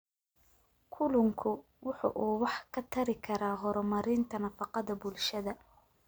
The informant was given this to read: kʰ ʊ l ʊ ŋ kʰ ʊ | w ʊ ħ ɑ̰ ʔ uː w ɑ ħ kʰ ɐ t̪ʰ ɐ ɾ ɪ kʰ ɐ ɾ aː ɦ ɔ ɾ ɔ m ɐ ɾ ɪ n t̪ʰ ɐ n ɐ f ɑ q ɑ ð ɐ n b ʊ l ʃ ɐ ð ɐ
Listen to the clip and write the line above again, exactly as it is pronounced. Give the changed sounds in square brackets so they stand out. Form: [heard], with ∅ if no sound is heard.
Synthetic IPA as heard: kʰ ʊ l ʊ ŋ kʰ ʊ | w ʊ ħ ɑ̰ ʔ uː w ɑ ħ kʰ ɐ t̪ʰ ɐ ɾ ɪ kʰ ɐ ɾ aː ɦ ɔ ɾ ɔ m ɐ ɾ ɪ n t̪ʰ ɐ n ɐ f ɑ q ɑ ð ɐ [∅] b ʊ l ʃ ɐ ð ɐ